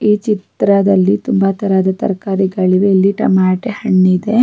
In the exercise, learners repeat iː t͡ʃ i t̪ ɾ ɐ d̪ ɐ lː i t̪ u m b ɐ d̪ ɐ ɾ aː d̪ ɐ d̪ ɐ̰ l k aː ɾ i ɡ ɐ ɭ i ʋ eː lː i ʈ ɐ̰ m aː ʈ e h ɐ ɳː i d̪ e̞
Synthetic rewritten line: iː t͡ʃ i t̪ ɾ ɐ d̪ ɐ lː i t̪ u m b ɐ t̪ ɐ ɾ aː d̪ ɐ t̪ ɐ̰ ɾ k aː ɾ i ɡ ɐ ɭ i ʋ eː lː i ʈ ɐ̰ m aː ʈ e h ɐ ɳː i d̪ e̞